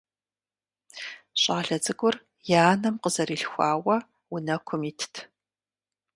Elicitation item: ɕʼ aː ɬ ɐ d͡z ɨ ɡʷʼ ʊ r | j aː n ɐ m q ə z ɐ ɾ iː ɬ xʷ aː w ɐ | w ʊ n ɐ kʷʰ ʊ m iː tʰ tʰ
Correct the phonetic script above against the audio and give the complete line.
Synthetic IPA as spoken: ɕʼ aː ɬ ɐ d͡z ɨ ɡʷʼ ʊ r | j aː n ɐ m q ə z ɐ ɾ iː ɬ xʷ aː w ɐ | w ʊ n ɐ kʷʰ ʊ m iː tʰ tʰ